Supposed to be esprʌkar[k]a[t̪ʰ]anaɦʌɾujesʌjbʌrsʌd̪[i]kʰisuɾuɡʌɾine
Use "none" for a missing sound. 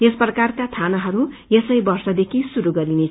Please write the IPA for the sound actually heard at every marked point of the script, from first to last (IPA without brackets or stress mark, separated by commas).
k, t̪ʰ, e